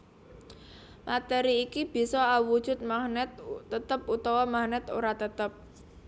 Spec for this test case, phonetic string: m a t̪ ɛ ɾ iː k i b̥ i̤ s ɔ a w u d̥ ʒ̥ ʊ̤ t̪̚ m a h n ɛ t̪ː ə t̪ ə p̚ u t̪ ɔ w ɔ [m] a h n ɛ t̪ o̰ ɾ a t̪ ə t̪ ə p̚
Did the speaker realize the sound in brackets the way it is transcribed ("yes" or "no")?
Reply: yes